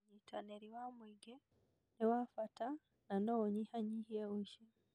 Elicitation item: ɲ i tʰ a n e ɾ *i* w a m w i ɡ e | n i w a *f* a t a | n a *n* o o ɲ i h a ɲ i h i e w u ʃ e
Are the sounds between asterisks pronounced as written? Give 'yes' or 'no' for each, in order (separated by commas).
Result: yes, yes, yes